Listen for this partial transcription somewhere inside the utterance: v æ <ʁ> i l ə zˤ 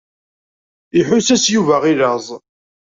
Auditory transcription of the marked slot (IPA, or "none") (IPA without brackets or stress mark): ʁ